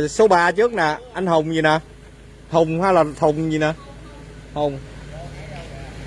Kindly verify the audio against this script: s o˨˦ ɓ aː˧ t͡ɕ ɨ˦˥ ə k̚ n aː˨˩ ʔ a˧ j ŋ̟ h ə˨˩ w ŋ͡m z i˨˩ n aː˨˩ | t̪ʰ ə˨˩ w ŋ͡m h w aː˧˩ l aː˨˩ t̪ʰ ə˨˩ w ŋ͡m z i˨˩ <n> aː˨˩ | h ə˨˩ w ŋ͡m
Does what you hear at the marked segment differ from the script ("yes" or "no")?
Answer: no